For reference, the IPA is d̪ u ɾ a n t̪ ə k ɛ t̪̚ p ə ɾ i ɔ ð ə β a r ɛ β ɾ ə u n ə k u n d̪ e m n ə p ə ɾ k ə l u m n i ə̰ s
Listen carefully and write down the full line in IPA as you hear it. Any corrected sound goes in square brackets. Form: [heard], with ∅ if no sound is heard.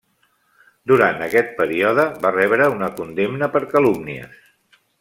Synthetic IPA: d̪ u ɾ a n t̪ ə k ɛ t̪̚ p ə ɾ i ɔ ð ə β a r ɛ β ɾ ə u n ə k u n d̪ e m n ə p ə ɾ k ə l u m n i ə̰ s